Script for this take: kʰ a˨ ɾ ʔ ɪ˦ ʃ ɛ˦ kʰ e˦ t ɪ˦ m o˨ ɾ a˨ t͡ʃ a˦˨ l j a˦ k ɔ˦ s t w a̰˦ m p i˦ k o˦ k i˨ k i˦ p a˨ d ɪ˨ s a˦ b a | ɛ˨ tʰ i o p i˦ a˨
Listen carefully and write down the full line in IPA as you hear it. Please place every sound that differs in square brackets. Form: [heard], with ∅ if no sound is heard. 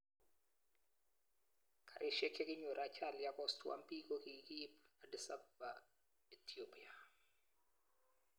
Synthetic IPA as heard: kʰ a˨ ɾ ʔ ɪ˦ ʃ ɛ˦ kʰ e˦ [k] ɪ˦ [ɲ] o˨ ɾ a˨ t͡ʃ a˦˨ l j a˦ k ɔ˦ s t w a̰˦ m p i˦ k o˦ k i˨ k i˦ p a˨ d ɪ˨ s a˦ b a | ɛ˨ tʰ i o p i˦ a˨

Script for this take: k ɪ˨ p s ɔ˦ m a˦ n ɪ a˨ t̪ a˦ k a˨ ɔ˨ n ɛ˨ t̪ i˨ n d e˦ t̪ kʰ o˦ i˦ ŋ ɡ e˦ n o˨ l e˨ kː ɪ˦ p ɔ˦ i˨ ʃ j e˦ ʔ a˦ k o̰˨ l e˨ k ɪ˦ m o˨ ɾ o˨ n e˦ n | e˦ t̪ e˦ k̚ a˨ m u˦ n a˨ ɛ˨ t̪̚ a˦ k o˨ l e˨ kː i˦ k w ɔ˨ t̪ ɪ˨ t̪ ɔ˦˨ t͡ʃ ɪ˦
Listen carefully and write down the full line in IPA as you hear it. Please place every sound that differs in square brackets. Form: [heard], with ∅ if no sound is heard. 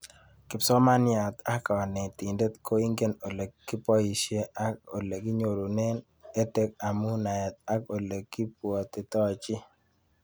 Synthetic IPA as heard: k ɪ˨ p s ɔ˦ m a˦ n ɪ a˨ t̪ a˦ k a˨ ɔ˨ n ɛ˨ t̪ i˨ n d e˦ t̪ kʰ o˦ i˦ ŋ ɡ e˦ n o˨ l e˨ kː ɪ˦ p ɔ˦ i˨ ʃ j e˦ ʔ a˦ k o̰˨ l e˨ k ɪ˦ [ɲ] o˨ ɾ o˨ n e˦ n | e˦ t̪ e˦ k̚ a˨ m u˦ n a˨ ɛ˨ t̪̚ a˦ k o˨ l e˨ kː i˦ [p] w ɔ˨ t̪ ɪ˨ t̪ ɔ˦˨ t͡ʃ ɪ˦

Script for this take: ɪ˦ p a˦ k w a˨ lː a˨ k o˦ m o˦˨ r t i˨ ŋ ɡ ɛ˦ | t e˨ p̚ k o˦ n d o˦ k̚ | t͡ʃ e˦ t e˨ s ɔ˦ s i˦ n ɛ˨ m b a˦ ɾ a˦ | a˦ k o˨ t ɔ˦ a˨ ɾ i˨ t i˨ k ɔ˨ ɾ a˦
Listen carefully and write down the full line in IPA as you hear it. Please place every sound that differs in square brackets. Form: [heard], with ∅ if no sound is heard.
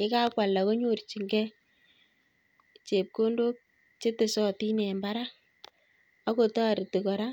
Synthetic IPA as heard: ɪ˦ [k] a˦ k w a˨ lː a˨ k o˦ [ɲ] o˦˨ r [t͡ʃ] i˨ ŋ ɡ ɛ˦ | [t͡ʃ] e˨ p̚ k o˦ n d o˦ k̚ | t͡ʃ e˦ t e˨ s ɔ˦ [t] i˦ n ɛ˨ m b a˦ ɾ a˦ | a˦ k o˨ t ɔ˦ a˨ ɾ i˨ t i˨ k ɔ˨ ɾ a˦

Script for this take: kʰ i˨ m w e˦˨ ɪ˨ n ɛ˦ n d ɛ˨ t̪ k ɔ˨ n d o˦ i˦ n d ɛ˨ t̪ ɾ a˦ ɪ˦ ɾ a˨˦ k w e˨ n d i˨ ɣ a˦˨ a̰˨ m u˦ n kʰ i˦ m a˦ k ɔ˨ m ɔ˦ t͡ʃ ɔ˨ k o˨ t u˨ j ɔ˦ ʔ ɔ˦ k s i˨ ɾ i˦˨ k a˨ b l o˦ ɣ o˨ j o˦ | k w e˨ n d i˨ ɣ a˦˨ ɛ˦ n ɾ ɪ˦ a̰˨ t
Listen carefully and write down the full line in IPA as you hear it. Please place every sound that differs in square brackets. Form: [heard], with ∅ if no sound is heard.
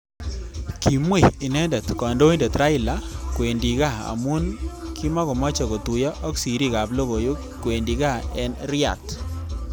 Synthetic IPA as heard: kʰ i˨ m w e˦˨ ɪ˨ n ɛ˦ n d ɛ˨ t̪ k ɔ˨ n d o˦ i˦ n d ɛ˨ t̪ ɾ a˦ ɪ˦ [l] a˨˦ k w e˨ n d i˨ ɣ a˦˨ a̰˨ m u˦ n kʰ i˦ m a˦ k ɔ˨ m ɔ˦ t͡ʃ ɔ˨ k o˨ t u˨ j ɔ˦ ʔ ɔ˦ k s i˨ ɾ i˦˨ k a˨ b l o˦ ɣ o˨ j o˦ | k w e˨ n d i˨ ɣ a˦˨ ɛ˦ n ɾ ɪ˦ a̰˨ t

